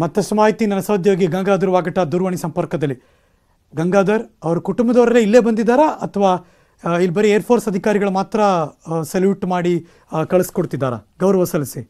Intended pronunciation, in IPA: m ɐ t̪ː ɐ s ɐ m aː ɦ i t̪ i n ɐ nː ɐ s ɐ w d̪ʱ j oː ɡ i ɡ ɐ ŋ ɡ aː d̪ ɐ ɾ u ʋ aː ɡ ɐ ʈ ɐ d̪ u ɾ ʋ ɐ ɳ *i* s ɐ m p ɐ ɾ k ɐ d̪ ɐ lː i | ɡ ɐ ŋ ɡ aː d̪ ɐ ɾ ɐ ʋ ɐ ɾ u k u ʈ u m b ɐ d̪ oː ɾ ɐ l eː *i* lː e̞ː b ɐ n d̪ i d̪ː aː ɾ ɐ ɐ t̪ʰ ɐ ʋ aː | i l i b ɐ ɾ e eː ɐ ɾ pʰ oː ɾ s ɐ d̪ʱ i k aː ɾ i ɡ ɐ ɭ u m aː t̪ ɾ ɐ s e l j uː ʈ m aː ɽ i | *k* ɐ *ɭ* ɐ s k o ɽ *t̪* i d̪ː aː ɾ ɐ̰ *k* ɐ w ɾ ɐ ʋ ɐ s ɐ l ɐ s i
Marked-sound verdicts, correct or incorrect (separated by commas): correct, correct, correct, correct, correct, incorrect